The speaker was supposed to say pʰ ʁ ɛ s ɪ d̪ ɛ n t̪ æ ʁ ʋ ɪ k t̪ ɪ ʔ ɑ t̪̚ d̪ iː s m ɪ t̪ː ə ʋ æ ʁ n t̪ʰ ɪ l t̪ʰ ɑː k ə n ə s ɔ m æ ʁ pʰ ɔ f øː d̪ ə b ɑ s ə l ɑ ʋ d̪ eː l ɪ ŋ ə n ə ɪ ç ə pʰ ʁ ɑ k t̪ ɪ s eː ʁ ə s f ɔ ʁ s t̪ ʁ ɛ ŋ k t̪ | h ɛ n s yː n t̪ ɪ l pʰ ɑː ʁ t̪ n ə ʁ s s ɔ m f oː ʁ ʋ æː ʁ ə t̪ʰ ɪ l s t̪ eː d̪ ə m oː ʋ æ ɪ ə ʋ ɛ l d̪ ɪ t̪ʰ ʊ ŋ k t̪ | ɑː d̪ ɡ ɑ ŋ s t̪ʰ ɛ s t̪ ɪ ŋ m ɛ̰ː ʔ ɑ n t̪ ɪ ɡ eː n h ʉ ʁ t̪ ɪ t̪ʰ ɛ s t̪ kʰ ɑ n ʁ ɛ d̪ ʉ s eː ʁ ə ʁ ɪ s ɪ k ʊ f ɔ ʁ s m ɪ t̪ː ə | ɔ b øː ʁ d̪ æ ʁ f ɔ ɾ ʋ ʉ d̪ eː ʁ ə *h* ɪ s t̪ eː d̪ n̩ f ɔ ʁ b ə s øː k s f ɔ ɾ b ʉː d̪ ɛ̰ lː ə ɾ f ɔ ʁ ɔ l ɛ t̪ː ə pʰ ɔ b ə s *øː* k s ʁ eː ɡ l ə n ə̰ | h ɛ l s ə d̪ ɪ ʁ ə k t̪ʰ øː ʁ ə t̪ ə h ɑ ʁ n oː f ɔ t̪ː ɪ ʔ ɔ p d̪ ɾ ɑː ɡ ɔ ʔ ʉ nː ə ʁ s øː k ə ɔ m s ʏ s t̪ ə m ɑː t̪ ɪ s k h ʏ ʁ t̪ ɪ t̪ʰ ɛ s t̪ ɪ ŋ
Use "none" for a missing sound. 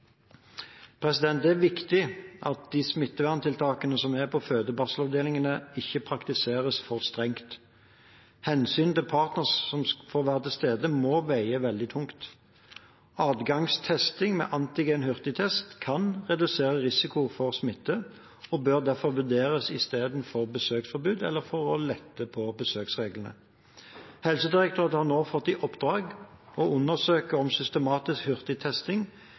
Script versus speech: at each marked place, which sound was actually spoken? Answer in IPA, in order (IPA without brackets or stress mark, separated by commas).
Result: s, øː